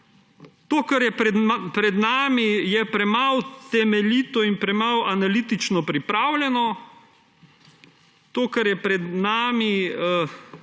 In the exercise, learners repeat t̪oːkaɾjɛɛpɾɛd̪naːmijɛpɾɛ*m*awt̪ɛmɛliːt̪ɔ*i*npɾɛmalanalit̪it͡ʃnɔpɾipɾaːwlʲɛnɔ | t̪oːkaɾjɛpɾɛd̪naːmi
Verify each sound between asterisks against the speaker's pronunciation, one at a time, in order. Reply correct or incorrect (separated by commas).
correct, correct